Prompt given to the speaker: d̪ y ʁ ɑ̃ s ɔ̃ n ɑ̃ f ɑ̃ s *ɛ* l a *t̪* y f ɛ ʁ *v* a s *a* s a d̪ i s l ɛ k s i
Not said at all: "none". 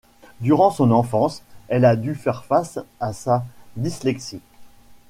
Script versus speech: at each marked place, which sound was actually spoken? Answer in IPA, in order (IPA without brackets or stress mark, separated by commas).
ɛ, d̪, f, a